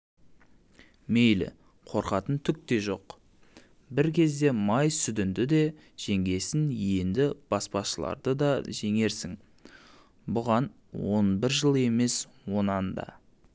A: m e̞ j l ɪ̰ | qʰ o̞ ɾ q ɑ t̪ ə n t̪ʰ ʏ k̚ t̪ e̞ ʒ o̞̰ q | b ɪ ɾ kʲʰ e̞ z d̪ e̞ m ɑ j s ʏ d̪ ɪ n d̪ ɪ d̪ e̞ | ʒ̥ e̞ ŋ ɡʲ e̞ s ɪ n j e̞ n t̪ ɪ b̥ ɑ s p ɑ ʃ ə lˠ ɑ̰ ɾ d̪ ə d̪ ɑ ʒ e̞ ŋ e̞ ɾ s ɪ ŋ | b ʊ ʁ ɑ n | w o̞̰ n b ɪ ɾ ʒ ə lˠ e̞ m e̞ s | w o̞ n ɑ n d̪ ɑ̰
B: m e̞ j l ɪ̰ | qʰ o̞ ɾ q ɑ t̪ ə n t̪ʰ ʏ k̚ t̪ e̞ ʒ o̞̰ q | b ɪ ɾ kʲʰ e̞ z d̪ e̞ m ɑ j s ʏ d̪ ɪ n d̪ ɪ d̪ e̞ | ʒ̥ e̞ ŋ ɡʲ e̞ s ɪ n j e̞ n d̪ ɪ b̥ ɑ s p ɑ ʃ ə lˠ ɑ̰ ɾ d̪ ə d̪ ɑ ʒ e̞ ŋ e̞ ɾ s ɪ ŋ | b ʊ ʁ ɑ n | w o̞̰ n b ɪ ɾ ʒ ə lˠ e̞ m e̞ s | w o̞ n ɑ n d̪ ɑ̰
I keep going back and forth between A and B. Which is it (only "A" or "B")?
B